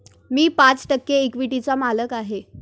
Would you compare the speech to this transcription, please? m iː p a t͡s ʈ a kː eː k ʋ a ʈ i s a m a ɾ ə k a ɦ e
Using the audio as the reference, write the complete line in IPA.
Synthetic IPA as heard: m iː p a t͡s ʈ ə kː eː k ʋ i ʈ i t͡s a m a l ə k a ɦ e